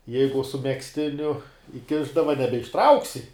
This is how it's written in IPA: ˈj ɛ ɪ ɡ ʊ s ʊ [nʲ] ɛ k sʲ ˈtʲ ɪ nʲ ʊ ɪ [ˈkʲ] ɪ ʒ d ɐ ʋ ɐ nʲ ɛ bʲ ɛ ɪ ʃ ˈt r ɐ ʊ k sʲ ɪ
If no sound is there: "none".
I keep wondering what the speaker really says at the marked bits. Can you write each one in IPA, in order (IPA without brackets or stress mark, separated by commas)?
mʲ, kʲ